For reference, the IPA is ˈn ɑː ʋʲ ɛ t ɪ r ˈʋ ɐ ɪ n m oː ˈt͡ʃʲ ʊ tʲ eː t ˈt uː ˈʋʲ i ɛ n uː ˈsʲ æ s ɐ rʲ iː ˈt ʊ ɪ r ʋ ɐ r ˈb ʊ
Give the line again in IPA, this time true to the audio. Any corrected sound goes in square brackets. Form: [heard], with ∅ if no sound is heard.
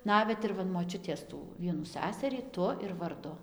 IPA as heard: ˈn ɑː ʋʲ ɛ t ɪ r ˈʋ ɐ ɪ n m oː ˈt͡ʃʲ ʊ tʲ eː [s] ˈt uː ˈʋʲ i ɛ n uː ˈsʲ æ s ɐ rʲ iː ˈt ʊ ɪ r ʋ ɐ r [ˈd] ʊ